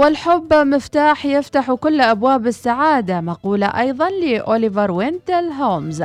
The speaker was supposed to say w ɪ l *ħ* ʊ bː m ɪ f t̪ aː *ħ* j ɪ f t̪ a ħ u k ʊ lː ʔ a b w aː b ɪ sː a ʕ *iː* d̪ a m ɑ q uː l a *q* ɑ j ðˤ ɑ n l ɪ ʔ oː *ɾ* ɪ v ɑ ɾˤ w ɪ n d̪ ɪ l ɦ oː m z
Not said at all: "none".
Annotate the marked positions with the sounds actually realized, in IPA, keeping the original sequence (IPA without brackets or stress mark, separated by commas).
ħ, ħ, aː, ʔ, l